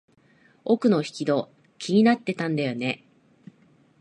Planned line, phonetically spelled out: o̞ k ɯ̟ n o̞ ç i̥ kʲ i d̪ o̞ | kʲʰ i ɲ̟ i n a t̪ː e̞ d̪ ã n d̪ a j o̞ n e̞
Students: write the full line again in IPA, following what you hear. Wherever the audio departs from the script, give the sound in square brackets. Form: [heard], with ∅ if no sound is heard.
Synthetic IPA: o̞ k ɯ̟ n o̞ ç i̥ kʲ i d̪ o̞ | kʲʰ i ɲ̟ i n a t̪ː e̞ [t̪] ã n d̪ a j o̞ n e̞